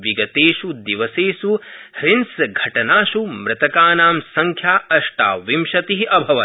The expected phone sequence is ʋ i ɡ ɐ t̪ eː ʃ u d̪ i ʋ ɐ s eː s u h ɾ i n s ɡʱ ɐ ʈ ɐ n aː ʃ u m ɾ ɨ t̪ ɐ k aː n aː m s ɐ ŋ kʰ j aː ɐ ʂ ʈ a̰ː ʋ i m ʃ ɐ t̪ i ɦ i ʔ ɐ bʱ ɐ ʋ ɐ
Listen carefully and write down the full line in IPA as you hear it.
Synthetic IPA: ʋ i ɡ ɐ t̪ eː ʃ u d̪ i ʋ ɐ s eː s u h ɾ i n s ɡʱ ɐ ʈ ɐ n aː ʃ u m ɾ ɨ t̪ ɐ k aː n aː m s ɐ ŋ kʰ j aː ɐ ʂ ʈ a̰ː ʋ i m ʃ ɐ t̪ i ɦ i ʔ ɐ bʱ ɐ ʋ ɐ